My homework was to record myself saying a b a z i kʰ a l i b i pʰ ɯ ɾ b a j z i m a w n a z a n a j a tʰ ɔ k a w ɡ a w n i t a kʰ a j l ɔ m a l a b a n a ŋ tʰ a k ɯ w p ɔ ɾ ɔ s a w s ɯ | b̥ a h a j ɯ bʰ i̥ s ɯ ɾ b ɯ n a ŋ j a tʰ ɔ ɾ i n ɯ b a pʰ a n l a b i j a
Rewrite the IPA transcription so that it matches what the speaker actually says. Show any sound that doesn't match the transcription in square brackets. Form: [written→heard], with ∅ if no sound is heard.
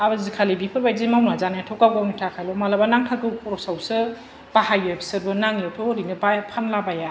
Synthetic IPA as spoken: a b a z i kʰ a l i b i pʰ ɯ ɾ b a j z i m a w n a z a n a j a tʰ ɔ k a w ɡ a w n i [t→tʰ] a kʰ a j l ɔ m a l a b a n a ŋ tʰ a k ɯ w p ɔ ɾ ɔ s a w s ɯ | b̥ a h a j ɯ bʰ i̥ s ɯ ɾ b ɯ n a ŋ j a tʰ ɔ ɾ i n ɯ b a pʰ a n l a b [i→a] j a

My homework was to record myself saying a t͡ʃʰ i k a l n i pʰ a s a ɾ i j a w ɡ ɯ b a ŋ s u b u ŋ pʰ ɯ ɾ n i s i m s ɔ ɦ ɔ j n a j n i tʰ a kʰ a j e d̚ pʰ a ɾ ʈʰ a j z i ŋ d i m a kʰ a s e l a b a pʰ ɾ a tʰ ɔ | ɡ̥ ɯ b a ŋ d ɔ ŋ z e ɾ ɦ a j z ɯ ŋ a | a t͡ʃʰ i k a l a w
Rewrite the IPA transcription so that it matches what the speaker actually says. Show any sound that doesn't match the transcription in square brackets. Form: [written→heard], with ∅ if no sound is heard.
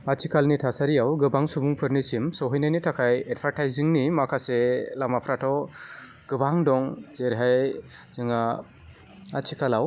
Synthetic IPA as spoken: a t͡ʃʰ i k a l n i [pʰ→tʰ] a s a ɾ i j a w ɡ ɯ b a ŋ s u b u ŋ pʰ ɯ ɾ n i s i m s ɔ ɦ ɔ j n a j n i tʰ a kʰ a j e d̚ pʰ a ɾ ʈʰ a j z i ŋ [d→n] i m a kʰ a s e l a [b→m] a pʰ ɾ a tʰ ɔ | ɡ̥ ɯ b a ŋ d ɔ ŋ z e ɾ ɦ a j z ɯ ŋ a | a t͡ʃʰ i k a l a w

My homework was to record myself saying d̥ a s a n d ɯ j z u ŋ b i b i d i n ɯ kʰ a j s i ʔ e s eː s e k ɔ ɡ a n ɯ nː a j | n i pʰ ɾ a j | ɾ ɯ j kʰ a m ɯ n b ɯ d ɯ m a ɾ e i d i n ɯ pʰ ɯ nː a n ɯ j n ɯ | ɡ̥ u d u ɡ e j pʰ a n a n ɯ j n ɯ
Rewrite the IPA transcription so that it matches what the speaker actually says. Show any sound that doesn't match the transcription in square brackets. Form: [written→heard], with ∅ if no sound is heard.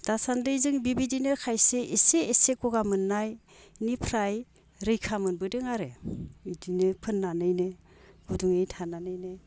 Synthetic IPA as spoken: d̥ a s a n d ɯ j z [u→ɯ] ŋ b i b i d i n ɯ kʰ a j s [i→e] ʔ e s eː s e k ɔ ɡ a [n→m] ɯ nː a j | n i pʰ ɾ a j | ɾ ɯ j kʰ a m ɯ n b ɯ d ɯ [m→ŋ] a ɾ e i d i n ɯ pʰ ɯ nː a n ɯ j n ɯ | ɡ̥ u d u [ɡ→ŋ] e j [pʰ→tʰ] a n a n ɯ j n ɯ

